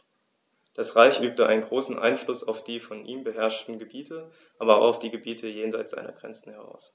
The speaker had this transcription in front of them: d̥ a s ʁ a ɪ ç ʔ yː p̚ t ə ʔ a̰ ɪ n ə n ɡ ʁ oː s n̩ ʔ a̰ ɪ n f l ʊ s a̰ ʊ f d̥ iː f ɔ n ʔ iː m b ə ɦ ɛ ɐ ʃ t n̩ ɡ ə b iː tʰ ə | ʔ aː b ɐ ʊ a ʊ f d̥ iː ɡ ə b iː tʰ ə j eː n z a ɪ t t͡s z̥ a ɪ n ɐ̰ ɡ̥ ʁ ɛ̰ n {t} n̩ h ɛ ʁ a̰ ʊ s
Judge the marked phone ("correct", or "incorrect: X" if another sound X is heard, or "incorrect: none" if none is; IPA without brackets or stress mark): incorrect: t͡s